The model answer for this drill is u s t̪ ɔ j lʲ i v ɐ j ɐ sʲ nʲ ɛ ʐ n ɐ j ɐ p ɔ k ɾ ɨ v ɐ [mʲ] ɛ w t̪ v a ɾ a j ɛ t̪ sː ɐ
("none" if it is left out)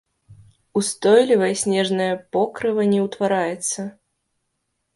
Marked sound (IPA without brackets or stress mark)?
nʲ